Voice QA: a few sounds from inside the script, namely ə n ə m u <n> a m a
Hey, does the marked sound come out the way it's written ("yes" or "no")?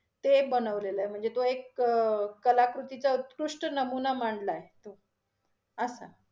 yes